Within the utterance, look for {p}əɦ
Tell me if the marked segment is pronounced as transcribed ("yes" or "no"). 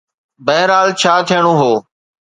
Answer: no